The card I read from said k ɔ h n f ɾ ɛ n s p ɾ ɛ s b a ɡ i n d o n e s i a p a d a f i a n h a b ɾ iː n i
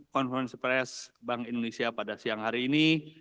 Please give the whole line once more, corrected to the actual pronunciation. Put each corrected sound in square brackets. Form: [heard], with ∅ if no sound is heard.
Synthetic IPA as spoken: k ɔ [∅] n f ɾ ɛ n s p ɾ ɛ s b a [ŋ] i n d o n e s i a p a d a [s] i a [ŋ] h a [∅] ɾ iː n i